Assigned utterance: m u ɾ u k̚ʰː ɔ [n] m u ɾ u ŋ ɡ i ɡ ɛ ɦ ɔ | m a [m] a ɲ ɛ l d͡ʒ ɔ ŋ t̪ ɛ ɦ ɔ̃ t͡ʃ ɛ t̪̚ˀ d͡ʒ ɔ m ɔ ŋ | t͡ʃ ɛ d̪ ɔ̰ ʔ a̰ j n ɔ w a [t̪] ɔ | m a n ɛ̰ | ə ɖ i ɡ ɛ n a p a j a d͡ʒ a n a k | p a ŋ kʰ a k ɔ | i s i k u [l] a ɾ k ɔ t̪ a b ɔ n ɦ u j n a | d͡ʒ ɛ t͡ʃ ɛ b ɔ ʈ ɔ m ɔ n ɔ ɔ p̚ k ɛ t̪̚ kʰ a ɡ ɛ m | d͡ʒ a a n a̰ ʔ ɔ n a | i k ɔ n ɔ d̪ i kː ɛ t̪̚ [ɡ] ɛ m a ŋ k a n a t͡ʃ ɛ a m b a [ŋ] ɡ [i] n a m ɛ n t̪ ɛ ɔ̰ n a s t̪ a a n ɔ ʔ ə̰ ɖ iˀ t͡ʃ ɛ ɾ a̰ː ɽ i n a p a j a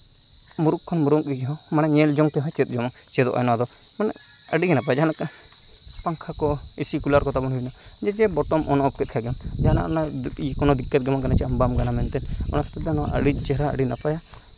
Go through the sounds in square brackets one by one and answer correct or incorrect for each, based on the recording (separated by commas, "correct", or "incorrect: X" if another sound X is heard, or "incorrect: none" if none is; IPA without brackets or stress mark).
correct, incorrect: n, incorrect: d̪, correct, correct, incorrect: m, incorrect: a